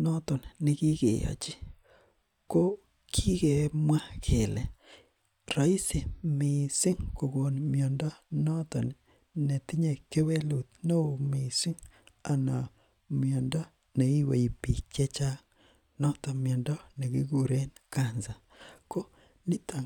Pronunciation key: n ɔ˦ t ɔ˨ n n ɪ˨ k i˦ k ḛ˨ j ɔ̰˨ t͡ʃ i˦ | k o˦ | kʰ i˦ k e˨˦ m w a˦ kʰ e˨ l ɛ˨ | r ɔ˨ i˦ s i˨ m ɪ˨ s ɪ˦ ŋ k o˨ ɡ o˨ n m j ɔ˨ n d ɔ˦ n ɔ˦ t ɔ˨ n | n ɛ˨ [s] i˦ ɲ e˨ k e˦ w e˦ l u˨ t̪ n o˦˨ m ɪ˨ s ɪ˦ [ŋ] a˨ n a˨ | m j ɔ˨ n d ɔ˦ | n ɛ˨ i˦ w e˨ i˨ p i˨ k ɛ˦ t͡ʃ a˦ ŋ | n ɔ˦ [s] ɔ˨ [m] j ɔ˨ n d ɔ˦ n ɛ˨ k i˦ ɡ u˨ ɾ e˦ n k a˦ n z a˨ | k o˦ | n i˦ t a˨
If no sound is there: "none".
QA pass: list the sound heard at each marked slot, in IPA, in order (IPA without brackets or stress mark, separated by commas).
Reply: t, ŋ, t, m